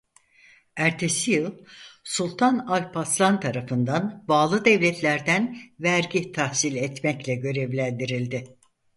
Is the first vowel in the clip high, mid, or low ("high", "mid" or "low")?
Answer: low